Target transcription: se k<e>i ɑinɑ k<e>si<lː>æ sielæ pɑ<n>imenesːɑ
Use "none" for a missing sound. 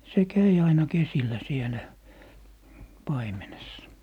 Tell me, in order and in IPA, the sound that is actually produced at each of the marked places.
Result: æ, e, lː, none

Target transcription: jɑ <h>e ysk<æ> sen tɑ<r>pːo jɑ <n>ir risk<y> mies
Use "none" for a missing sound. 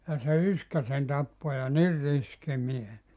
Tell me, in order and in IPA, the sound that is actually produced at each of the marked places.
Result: s, æ, none, n, i

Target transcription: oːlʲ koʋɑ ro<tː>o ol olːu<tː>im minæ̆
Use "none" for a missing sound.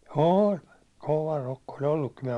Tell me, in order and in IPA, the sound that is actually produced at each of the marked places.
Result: kː, kː

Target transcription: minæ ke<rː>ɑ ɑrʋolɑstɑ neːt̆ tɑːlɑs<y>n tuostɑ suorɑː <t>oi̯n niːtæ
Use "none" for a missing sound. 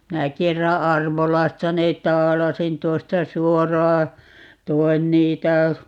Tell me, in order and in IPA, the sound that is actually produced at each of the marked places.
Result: rː, i, t

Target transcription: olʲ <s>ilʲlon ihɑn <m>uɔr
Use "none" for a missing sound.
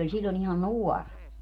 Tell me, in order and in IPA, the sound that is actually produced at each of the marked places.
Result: s, n

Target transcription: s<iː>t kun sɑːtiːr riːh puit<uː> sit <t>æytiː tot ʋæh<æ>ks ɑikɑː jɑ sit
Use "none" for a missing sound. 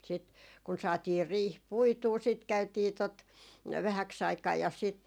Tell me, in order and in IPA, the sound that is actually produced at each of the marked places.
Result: i, uː, k, æ

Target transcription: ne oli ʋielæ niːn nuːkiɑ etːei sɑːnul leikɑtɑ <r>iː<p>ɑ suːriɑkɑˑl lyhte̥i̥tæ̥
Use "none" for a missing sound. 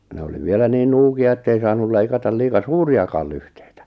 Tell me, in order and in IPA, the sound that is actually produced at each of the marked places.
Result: l, k

